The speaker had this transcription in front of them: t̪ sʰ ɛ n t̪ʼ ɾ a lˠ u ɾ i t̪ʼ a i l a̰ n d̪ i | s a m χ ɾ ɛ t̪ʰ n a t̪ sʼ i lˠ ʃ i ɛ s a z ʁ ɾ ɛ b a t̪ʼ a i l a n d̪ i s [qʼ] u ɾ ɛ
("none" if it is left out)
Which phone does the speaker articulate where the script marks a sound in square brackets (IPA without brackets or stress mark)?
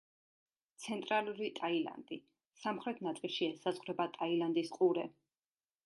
qʼ